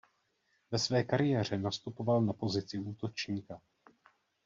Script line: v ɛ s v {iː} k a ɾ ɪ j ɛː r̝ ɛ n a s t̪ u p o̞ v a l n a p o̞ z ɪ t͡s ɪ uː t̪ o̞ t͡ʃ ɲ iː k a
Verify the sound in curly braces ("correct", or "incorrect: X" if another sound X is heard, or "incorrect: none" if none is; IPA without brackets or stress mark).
incorrect: ɛː